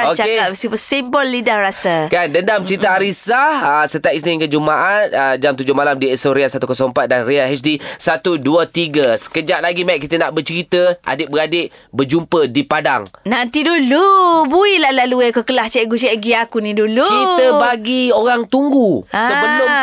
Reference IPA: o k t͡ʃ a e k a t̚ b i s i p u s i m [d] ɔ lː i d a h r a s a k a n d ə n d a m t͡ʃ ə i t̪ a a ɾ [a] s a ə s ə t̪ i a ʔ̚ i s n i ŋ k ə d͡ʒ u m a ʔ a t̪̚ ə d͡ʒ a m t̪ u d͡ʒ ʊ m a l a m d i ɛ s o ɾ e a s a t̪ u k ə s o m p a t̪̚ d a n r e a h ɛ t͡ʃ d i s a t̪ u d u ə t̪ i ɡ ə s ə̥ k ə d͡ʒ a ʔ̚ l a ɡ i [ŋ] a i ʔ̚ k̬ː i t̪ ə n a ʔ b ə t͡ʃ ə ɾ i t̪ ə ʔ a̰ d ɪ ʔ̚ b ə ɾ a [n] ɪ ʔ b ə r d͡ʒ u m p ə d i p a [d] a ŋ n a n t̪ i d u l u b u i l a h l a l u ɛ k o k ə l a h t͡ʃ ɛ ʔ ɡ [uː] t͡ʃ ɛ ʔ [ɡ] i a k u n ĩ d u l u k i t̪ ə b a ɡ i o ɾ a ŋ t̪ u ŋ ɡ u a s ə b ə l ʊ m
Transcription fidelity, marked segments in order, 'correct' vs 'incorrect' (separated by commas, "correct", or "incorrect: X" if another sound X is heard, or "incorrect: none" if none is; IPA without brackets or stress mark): incorrect: b, incorrect: i, incorrect: m, incorrect: d, correct, incorrect: u, correct